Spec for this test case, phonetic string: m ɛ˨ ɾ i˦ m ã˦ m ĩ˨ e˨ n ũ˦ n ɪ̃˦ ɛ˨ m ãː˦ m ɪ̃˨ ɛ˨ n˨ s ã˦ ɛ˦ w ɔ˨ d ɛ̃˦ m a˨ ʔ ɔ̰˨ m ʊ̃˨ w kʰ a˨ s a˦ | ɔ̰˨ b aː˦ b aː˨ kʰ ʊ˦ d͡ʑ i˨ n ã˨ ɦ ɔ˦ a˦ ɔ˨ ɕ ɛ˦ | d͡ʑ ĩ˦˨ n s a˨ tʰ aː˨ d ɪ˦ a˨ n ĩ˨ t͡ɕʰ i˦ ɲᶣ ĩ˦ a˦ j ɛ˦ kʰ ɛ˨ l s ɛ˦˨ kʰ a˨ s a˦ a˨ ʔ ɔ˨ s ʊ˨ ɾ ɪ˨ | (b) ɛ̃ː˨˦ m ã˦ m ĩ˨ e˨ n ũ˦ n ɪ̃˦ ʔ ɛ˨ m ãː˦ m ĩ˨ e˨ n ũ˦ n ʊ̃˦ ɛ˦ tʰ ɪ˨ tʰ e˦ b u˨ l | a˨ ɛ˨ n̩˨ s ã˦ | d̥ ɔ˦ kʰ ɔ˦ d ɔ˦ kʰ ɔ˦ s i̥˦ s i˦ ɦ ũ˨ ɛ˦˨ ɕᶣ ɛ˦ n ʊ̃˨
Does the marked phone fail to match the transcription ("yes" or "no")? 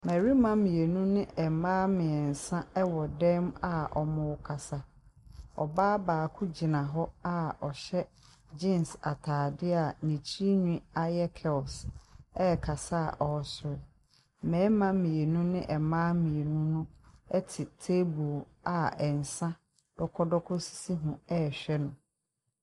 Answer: yes